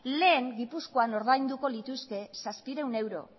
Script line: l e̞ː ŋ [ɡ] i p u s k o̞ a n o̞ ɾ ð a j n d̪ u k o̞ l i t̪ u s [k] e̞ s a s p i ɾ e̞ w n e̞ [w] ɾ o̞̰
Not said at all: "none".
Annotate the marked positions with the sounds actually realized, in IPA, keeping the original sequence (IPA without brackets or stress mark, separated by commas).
ɡ, k, w